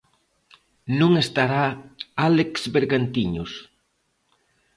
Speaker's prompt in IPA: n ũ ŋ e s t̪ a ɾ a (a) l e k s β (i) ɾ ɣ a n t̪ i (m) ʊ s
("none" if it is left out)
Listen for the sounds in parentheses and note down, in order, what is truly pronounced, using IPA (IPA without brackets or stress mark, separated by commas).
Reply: a, e, ɲ